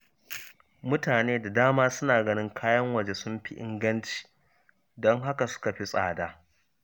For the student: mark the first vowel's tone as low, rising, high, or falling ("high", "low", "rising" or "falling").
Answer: high